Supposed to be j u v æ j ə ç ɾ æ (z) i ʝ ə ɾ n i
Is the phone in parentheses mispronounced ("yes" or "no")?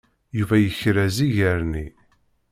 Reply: no